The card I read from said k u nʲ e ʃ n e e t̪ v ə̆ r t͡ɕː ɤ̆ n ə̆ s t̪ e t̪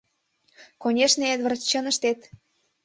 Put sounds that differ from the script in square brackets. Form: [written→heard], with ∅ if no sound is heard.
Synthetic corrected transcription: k [u→o] nʲ e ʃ n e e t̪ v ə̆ r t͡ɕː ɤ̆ n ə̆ [s→ʃ] t̪ e t̪